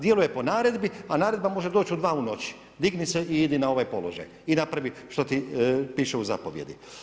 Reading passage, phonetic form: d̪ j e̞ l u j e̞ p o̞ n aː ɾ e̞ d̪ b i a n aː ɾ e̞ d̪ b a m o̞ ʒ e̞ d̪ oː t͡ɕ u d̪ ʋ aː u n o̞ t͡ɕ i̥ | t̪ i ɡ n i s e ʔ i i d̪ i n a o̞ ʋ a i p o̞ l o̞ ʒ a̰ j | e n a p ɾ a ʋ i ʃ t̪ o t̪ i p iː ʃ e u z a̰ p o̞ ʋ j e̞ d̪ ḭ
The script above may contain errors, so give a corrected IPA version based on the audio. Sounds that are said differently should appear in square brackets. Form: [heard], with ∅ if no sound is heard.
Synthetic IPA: d̪ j e̞ l u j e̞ p o̞ n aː ɾ e̞ d̪ b i a n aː ɾ e̞ d̪ b a m o̞ ʒ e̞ d̪ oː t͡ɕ u d̪ ʋ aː u n o̞ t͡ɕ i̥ | [d̪] i ɡ n i s e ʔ i i d̪ i n a o̞ ʋ a [j] p o̞ l o̞ ʒ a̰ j | [i] n a p ɾ a ʋ i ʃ t̪ o t̪ i p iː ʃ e u z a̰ p o̞ ʋ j e̞ d̪ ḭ